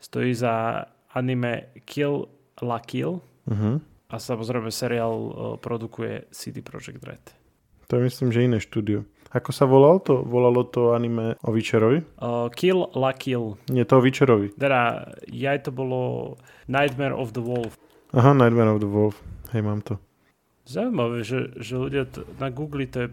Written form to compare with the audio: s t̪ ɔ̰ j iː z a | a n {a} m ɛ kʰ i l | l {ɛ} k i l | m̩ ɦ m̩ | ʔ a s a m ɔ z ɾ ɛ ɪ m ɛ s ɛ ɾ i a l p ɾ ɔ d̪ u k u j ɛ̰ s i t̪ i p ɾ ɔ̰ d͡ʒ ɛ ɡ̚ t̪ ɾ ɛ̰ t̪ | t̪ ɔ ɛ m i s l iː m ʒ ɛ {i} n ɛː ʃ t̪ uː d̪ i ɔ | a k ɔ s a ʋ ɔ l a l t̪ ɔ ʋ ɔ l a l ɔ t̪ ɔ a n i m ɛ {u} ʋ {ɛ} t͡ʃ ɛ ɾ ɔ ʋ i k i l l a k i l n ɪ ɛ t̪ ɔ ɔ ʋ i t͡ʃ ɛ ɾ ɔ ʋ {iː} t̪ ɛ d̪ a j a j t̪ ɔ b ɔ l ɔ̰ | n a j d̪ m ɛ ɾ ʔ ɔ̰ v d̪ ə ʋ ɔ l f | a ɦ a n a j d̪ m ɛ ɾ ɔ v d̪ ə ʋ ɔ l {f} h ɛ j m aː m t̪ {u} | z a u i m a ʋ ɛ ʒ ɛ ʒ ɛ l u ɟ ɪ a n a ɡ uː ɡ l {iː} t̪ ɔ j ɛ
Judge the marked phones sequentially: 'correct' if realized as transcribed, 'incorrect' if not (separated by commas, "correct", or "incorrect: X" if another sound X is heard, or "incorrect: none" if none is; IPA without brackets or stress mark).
incorrect: i, incorrect: a, correct, incorrect: ɔ, incorrect: i, incorrect: i, correct, incorrect: ɔ, incorrect: i